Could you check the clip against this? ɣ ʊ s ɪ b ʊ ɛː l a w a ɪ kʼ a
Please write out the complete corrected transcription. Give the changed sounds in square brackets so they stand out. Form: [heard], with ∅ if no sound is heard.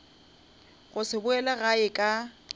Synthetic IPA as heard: ɣ ʊ s ɪ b ʊ [ɛ] l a [ɣ] a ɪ kʼ a